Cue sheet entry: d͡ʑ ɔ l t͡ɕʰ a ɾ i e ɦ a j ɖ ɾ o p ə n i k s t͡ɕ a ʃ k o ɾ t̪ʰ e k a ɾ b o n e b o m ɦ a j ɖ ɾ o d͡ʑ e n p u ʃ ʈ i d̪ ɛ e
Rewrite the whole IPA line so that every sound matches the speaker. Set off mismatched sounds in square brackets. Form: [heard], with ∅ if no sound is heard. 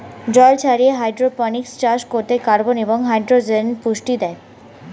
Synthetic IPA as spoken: d͡ʑ ɔ l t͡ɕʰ a ɾ i e ɦ a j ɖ ɾ o p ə n i k s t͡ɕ a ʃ k o ɾ [t̪] e k a ɾ b o n e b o [ŋ] ɦ a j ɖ ɾ o d͡ʑ e n p u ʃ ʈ i d̪ ɛ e